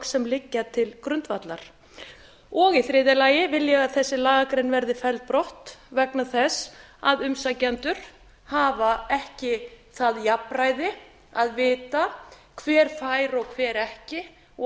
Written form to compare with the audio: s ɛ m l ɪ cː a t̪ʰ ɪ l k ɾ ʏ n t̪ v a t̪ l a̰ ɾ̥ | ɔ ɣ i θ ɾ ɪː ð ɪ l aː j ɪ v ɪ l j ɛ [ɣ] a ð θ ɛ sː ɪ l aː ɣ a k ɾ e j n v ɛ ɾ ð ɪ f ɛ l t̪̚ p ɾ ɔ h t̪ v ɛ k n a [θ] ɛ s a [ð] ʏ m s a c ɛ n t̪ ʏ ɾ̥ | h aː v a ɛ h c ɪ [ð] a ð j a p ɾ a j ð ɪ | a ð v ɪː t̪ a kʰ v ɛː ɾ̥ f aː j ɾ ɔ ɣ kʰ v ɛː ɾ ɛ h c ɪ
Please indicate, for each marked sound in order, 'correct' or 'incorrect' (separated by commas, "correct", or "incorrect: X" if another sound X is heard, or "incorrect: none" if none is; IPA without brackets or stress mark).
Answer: correct, correct, correct, incorrect: θ